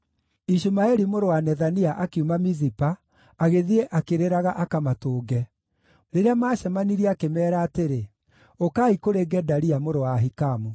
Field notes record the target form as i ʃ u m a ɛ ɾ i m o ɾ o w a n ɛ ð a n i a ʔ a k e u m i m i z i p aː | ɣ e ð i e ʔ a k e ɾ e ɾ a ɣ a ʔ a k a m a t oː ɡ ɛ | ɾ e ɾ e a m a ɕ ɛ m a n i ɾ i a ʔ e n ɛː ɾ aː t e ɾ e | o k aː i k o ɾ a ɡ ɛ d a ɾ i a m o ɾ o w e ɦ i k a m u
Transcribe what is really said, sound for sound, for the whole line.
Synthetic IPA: i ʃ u m a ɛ ɾ i m o ɾ o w a n ɛ ð a n i a ʔ a k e u m a m i z i p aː | ɣ e ð i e ʔ a k e ɾ e ɾ a ɣ a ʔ a k a m a t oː ɡ ɛ | ɾ e ɾ e a m a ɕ ɛ m a n i ɾ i a k e m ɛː ɾ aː t e ɾ e | o k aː i k o ɾ e ɡ ɛ d a ɾ i a m o ɾ o w a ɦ i k a m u